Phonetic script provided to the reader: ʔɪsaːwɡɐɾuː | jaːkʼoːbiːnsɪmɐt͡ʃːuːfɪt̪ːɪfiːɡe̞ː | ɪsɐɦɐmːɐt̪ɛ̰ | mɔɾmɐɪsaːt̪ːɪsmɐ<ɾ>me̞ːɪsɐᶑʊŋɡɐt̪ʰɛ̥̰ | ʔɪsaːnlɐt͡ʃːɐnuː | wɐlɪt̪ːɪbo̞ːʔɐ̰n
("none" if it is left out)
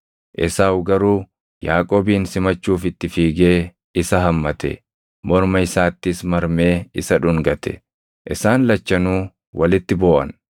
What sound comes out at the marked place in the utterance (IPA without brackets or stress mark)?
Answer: ɾ